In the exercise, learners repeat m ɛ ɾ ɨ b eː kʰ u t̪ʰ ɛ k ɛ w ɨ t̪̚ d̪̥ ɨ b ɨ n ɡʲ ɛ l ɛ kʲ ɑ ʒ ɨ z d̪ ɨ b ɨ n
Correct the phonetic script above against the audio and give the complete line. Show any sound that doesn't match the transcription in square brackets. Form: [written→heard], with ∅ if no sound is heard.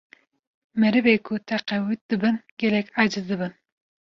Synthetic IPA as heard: m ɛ ɾ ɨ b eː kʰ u t̪ʰ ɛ [k→q] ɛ w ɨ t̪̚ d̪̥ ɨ b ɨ n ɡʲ ɛ l ɛ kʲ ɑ [ʒ→d͡ʒ] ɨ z d̪ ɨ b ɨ n